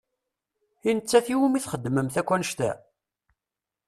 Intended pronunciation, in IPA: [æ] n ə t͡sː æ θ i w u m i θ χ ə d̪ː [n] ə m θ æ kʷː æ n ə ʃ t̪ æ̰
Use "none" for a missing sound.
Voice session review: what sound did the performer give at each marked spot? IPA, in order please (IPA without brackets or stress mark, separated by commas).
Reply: i, m